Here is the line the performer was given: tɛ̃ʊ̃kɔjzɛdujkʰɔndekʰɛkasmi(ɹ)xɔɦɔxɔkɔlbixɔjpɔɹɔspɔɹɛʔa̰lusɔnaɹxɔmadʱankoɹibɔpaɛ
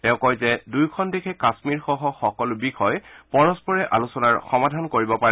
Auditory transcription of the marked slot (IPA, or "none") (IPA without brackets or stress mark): ɹ